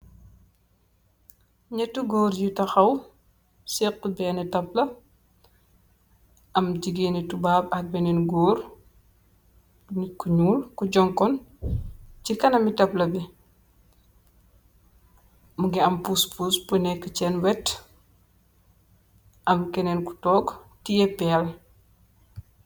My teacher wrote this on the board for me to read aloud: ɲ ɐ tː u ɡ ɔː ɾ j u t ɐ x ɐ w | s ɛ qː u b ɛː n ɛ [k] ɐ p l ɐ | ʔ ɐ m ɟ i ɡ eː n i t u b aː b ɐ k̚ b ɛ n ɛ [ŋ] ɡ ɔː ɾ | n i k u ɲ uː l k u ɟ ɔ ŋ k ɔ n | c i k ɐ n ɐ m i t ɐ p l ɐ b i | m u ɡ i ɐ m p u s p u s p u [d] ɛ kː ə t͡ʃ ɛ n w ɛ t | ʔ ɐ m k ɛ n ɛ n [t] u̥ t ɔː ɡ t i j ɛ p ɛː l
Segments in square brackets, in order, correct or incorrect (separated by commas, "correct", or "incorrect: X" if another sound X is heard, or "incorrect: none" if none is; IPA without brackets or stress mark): incorrect: t, incorrect: n, incorrect: n, incorrect: k